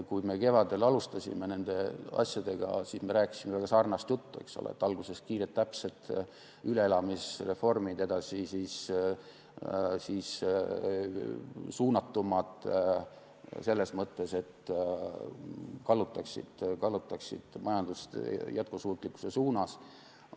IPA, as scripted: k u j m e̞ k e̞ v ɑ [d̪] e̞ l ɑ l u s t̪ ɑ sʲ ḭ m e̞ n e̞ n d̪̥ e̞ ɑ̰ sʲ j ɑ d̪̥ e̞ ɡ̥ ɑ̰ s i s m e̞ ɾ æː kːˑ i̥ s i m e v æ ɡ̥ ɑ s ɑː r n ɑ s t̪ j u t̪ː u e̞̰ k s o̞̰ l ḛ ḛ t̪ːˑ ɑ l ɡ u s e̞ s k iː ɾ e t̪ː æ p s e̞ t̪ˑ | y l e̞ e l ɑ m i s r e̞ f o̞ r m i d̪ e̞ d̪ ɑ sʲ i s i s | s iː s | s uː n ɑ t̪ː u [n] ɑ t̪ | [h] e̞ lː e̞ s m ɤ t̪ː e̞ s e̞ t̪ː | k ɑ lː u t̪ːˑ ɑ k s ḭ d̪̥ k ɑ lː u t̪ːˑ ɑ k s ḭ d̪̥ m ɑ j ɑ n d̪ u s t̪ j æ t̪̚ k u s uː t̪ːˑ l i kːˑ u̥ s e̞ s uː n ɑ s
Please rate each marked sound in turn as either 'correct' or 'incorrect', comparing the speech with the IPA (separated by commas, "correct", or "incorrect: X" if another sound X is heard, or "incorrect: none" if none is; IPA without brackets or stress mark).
correct, incorrect: m, incorrect: s